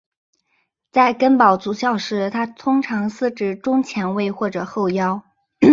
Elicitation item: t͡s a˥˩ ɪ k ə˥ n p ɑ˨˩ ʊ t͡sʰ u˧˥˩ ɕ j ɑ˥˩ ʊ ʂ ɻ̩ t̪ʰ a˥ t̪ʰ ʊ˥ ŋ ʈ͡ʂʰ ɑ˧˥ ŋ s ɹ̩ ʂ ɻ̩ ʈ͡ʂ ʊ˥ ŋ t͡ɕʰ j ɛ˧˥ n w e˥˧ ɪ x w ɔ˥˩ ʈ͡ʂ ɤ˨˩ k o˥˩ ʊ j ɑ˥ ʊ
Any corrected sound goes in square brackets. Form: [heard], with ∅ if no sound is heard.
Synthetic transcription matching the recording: t͡s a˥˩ ɪ k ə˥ n p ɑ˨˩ ʊ [t͡s] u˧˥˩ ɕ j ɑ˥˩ ʊ ʂ ɻ̩ t̪ʰ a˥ t̪ʰ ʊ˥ ŋ ʈ͡ʂʰ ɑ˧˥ ŋ s ɹ̩ [ʈ͡ʂ] ɻ̩ ʈ͡ʂ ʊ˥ ŋ t͡ɕʰ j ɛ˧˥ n w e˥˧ ɪ x w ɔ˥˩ ʈ͡ʂ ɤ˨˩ [x] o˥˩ ʊ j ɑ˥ ʊ

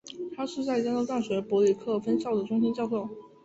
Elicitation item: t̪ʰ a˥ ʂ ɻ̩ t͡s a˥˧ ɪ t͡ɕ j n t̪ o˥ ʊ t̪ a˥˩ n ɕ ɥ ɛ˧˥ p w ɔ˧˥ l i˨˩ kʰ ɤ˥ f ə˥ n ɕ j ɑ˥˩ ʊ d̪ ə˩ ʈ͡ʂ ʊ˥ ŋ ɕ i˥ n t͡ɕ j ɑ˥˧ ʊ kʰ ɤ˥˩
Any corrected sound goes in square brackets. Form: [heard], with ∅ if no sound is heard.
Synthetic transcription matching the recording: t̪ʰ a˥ ʂ ɻ̩ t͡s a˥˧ ɪ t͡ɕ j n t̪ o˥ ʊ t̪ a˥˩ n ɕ ɥ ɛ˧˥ p w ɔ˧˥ l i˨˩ kʰ [ɤ˥˩] f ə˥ n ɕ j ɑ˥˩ ʊ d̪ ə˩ ʈ͡ʂ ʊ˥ ŋ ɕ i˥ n t͡ɕ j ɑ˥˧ ʊ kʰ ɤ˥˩

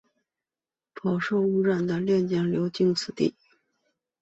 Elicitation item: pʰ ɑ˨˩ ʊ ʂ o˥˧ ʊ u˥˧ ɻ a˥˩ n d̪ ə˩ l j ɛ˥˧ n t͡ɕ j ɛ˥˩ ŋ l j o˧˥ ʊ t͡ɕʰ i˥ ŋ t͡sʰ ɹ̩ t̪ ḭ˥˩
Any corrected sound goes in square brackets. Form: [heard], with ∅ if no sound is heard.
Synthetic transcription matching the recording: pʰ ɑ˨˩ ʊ ʂ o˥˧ ʊ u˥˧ ɻ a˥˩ n d̪ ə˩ l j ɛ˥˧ n t͡ɕ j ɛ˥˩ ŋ l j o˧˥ ʊ [t͡ɕ] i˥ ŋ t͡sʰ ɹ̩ t̪ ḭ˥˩

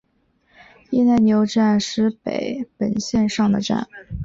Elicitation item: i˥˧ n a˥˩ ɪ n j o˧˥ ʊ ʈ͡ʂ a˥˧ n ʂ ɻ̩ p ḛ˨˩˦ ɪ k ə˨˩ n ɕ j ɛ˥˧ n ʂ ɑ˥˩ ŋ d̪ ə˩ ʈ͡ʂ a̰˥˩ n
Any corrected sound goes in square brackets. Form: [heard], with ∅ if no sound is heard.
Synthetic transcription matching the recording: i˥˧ n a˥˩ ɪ n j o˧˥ ʊ ʈ͡ʂ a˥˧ n ʂ ɻ̩ p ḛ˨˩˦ ɪ [p] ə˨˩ n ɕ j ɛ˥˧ n ʂ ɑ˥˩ ŋ d̪ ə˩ ʈ͡ʂ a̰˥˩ n

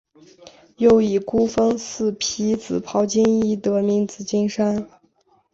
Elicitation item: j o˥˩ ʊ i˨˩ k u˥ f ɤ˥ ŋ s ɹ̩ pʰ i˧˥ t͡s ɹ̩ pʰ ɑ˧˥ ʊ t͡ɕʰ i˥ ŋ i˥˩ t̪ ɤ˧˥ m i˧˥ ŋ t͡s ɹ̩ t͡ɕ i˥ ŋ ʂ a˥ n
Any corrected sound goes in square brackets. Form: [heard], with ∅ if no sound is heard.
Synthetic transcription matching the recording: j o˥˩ ʊ i˨˩ k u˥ f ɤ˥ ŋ s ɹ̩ pʰ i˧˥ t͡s ɹ̩ pʰ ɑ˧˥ ʊ [t͡ɕ] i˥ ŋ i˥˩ t̪ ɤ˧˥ m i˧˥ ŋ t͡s ɹ̩ t͡ɕ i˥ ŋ ʂ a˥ n

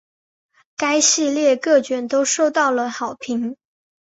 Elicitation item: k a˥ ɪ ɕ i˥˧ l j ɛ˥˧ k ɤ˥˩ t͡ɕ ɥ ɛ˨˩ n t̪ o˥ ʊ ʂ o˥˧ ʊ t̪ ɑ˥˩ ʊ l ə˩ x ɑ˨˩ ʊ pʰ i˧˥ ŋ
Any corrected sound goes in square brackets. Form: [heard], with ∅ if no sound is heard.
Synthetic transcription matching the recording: k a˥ ɪ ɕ i˥˧ l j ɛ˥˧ k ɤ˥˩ t͡ɕ ɥ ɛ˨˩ n t̪ o˥ ʊ ʂ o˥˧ ʊ t̪ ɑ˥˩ ʊ l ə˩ x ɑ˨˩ ʊ pʰ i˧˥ ŋ

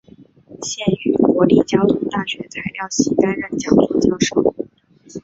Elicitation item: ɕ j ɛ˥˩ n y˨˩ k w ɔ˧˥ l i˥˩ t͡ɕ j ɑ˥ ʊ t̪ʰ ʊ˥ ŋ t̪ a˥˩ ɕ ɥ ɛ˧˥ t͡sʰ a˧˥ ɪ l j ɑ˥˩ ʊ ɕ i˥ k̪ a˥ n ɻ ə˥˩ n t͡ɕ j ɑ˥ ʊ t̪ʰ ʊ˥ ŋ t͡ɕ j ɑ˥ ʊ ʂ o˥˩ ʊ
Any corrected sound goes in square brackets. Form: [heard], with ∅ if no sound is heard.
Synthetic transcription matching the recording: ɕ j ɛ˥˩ n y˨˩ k w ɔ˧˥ l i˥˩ t͡ɕ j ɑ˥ ʊ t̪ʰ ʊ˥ ŋ t̪ a˥˩ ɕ ɥ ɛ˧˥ t͡sʰ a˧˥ ɪ l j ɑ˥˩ ʊ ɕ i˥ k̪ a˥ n ɻ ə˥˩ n t͡ɕ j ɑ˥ ʊ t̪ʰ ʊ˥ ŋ t͡ɕ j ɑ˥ ʊ ʂ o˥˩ ʊ

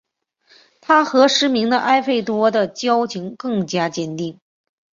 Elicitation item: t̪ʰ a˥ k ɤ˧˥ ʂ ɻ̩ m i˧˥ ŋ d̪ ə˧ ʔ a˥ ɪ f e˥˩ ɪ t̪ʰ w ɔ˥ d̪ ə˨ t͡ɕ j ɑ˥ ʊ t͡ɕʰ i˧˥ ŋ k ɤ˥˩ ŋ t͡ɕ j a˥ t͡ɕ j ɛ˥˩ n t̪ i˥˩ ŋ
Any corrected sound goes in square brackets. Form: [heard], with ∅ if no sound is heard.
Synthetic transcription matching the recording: t̪ʰ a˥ [x] ɤ˧˥ ʂ ɻ̩ m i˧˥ ŋ d̪ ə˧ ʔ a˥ ɪ f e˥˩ ɪ [t̪] w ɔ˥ d̪ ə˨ t͡ɕ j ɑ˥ ʊ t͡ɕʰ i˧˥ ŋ k ɤ˥˩ ŋ t͡ɕ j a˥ t͡ɕ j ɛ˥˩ n t̪ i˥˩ ŋ

